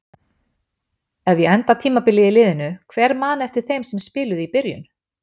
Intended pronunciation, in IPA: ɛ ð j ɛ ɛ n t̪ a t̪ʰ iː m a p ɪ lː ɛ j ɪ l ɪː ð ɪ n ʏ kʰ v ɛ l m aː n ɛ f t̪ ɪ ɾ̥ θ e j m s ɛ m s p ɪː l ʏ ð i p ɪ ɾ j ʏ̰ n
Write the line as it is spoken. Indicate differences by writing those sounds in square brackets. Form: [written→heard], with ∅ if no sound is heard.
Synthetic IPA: ɛ [ð→v] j ɛ ɛ n t̪ a t̪ʰ iː m a p ɪ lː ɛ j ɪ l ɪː ð ɪ n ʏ kʰ v ɛ [l→ɾ] m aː n ɛ f t̪ ɪ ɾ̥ θ e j m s ɛ m s p ɪː l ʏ ð i p ɪ ɾ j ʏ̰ n